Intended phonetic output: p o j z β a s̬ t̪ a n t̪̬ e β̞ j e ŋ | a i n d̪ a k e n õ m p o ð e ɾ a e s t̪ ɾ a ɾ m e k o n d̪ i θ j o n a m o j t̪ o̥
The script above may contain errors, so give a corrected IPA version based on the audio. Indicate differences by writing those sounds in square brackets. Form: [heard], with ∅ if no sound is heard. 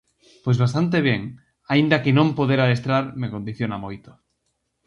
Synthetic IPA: p o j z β a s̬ t̪ a n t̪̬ e β̞ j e ŋ | a i n d̪ a k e n õ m p o ð e ɾ a e s t̪ ɾ a ɾ m e k o n d̪ i θ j o n a m o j t̪ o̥